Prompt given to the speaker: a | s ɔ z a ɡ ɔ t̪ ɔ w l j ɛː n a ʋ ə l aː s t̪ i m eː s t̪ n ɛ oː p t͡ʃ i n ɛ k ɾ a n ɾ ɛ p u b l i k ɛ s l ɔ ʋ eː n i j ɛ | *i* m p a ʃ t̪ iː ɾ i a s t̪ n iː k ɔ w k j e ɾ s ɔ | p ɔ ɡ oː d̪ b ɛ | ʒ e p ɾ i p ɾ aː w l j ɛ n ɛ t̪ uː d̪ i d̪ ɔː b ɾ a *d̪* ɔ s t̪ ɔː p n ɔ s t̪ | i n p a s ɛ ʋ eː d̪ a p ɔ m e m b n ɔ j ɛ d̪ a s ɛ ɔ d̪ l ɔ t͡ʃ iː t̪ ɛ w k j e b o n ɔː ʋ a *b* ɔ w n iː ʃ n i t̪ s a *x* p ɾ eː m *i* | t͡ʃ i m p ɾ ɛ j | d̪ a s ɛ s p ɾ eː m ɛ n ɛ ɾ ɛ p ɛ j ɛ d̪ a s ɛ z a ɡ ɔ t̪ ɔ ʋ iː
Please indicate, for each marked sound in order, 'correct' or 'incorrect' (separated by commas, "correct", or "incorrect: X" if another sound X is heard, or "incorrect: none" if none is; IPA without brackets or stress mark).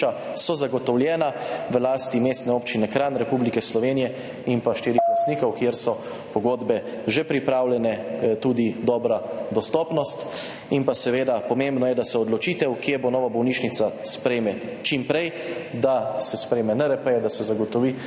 correct, correct, correct, incorrect: s, incorrect: ɛ